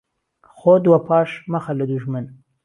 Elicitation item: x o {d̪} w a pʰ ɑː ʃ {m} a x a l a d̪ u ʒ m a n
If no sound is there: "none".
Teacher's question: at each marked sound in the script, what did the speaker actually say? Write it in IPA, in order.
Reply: d̪, m

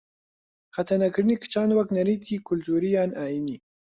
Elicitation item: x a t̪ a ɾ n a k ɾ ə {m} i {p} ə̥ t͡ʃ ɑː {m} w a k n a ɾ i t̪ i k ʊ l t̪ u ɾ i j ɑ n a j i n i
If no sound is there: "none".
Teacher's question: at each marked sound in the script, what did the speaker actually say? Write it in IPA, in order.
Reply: n, k, n

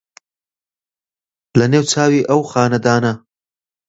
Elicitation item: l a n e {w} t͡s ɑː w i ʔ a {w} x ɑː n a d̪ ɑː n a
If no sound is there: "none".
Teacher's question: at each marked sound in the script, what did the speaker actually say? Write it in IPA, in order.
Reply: w, w

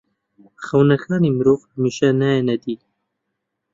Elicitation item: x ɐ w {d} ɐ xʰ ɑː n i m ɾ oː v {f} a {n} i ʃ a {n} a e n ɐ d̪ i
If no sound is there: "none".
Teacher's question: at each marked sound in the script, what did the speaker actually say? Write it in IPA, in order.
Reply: n, h, m, n

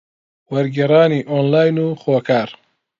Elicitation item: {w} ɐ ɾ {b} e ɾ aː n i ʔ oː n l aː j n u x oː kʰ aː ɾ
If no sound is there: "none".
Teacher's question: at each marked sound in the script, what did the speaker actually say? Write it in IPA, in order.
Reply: w, ɡ

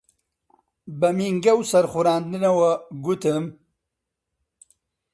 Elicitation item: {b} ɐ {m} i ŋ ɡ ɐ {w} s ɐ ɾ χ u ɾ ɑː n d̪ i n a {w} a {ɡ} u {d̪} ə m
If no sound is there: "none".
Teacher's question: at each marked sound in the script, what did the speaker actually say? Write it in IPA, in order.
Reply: b, m, w, w, ɡ, t̪

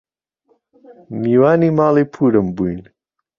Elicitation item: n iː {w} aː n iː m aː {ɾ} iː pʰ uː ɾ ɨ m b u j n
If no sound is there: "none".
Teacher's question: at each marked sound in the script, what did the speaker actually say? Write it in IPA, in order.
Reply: w, l

